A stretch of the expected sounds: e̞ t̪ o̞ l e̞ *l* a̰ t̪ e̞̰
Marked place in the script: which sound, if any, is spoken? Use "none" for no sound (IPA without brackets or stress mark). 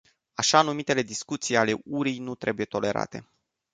ɾ